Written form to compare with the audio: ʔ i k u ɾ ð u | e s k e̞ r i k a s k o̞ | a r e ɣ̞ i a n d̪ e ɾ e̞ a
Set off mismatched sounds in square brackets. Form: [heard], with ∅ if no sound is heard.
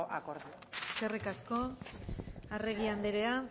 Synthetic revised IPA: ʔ [a] k [o] ɾ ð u | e s k e̞ r i k a s k o̞ | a r e ɣ̞ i a n d̪ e ɾ e̞ a